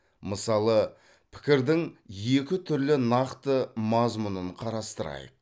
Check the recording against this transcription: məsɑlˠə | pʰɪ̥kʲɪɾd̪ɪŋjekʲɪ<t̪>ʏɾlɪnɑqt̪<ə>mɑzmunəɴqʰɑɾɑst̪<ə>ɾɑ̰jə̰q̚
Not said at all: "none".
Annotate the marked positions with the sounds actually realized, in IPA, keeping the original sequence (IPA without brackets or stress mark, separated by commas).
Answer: t̪ʰ, ə, ə